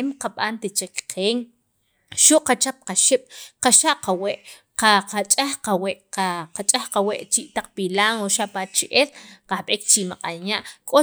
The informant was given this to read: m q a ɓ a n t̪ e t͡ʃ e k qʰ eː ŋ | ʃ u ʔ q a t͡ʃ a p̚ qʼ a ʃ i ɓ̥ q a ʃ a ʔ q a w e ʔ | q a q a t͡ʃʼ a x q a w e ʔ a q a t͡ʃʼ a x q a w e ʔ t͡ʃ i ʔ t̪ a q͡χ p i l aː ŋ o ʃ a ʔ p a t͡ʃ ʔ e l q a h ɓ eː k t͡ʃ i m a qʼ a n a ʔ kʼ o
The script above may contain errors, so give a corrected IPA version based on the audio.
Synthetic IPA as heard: m q a ɓ a n t̪ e t͡ʃ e k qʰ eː ŋ | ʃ u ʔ q a t͡ʃ a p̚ q a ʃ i ɓ̥ q a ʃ a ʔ q a w e ʔ | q a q a t͡ʃʼ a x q a w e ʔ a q a t͡ʃʼ a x q a w e ʔ t͡ʃ i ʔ t̪ a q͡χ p i l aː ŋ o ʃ a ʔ p a t͡ʃ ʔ e l q a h ɓ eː k t͡ʃ i m a qʼ a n a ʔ kʼ o